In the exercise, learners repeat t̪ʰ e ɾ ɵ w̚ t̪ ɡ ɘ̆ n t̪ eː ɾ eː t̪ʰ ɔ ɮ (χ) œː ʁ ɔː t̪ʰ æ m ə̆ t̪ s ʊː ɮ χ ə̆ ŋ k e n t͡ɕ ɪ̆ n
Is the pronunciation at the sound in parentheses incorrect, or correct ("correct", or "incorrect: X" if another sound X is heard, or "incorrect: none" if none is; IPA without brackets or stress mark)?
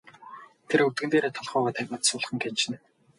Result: correct